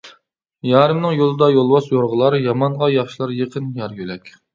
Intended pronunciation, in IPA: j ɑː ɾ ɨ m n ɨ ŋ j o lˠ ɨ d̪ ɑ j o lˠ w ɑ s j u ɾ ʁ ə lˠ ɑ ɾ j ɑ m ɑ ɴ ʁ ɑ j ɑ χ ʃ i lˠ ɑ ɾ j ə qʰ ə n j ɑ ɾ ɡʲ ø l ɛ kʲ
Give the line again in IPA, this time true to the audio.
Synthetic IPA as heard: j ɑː ɾ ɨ m n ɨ ŋ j o lˠ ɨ d̪ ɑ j o lˠ w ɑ s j o ɾ ʁ ə lˠ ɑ ɾ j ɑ m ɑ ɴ ʁ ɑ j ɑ χ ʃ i lˠ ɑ ɾ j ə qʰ ə n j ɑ ɾ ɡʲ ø l ɛ kʲ